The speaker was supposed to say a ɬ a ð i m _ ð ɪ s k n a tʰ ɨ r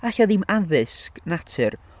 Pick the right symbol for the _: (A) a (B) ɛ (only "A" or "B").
A